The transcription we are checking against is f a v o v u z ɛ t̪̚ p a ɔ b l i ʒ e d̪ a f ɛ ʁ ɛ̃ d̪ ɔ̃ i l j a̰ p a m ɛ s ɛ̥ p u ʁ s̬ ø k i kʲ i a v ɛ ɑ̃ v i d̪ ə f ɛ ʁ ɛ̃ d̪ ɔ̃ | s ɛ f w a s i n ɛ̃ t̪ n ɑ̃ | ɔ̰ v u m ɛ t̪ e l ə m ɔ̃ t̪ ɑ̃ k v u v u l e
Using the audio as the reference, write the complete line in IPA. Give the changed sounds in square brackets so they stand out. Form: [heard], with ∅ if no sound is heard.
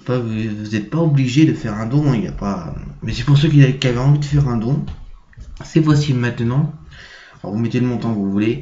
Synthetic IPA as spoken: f a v [u] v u z ɛ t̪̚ p a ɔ b l i ʒ e d̪ [ə] f ɛ ʁ ɛ̃ d̪ ɔ̃ i l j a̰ p a m ɛ s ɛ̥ p u ʁ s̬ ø k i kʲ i a v ɛ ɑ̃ v i d̪ ə f ɛ ʁ ɛ̃ d̪ ɔ̃ | s ɛ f w a s i [m] ɛ̃ t̪ n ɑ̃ | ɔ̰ v u m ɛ t̪ e l ə m ɔ̃ t̪ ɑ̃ k v u v u l e